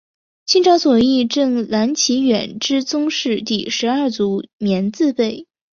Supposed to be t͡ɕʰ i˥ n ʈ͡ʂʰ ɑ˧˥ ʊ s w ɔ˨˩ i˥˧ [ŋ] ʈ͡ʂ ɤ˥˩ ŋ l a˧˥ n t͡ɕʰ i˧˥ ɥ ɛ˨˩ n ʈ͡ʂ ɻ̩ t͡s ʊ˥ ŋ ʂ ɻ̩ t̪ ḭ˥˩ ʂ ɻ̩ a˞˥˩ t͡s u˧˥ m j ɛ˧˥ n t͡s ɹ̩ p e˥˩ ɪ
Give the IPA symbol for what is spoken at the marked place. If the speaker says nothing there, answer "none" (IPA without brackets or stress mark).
none